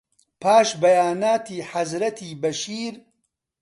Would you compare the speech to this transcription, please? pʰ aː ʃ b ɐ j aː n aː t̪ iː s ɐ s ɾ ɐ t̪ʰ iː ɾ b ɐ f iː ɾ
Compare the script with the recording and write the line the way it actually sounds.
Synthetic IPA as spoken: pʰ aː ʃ b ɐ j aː n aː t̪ iː ħ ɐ z ɾ ɐ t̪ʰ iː b ɐ ʃ iː ɾ